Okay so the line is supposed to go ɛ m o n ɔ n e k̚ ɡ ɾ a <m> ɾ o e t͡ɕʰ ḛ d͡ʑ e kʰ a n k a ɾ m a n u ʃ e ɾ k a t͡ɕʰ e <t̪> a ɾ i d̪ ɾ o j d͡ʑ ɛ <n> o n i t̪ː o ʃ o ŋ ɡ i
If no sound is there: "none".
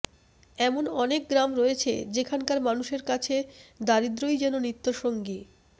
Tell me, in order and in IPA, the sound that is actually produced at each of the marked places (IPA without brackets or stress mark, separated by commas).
m, d̪, n